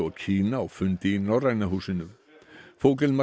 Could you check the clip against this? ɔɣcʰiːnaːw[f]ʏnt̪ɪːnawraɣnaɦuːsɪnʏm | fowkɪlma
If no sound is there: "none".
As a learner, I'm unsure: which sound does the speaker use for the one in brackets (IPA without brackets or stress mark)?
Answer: f